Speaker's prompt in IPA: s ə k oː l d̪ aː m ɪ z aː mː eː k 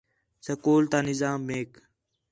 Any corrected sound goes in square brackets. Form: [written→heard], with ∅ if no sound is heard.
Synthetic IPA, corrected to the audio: s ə k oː l [d̪→t̪] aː [m→n] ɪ z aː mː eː k